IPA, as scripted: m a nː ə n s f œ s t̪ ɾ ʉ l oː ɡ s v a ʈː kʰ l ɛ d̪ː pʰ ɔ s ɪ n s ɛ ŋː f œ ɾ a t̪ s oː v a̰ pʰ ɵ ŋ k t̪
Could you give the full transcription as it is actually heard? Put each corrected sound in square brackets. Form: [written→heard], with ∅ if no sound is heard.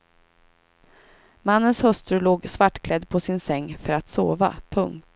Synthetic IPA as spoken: m a nː ə n s [f→h] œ s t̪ ɾ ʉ l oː ɡ s v a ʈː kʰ l ɛ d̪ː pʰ ɔ s ɪ n s ɛ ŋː f œ ɾ a t̪ s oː v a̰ pʰ ɵ ŋ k t̪